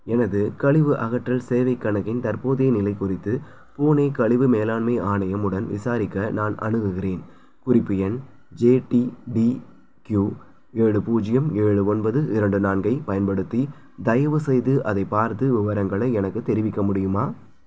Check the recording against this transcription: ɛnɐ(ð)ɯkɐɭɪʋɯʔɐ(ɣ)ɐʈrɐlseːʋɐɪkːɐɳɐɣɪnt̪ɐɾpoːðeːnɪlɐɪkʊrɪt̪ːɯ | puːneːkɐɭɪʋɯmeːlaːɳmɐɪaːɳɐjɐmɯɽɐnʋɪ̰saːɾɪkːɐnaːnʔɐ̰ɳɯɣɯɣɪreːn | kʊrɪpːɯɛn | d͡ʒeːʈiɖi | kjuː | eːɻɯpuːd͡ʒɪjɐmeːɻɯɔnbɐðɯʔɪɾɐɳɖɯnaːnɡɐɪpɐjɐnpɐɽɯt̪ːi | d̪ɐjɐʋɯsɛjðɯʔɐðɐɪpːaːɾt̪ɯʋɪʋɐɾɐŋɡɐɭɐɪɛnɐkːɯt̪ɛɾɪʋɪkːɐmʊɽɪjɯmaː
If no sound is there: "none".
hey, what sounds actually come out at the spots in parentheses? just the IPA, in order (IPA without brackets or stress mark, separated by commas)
ð, ɣ